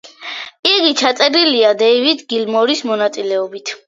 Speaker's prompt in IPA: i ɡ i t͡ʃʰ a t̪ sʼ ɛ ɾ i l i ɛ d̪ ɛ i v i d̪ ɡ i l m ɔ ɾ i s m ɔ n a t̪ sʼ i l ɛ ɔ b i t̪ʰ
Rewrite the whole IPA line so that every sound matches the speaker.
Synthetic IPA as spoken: i ɡ i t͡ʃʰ a t̪ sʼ ɛ ɾ i l i a d̪ ɛ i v i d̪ ɡ i l m ɔ ɾ i s m ɔ n a t̪ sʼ i l ɛ ɔ b i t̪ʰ